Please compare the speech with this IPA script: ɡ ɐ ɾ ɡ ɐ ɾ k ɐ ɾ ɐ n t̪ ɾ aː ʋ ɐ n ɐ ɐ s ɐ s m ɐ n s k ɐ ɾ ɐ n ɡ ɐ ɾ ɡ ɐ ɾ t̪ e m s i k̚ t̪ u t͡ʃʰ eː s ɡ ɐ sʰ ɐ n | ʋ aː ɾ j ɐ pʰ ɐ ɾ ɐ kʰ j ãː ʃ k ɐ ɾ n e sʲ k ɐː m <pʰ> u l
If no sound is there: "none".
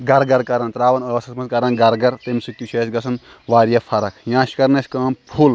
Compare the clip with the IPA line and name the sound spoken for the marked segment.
pʰ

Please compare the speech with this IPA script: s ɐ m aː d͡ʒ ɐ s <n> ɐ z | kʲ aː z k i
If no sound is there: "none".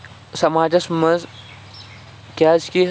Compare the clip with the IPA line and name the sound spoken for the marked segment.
m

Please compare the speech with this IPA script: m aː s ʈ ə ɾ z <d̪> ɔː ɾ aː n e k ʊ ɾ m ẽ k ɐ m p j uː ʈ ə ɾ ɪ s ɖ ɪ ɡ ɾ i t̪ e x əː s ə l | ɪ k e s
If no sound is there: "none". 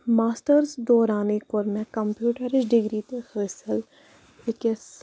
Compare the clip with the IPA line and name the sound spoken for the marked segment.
d̪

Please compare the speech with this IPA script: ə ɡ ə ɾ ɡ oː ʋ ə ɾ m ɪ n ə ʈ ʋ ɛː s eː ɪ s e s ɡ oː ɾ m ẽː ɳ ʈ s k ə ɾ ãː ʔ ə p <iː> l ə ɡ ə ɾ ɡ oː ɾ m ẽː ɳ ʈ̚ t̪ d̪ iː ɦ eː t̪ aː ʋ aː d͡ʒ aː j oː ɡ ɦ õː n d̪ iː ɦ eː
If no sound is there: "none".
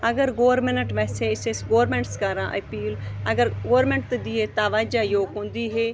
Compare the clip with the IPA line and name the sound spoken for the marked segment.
iː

